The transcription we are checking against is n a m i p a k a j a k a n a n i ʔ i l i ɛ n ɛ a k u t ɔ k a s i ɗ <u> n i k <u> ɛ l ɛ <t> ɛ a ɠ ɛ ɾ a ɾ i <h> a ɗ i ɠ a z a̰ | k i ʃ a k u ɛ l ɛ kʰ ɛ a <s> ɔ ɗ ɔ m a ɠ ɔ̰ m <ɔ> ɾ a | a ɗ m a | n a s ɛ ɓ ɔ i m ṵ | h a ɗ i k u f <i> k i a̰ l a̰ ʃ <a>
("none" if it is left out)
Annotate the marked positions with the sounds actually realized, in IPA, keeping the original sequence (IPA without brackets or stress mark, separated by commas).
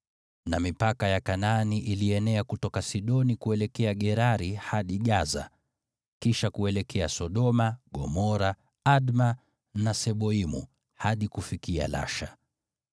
ɔ, u, k, h, s, ɔ, i, a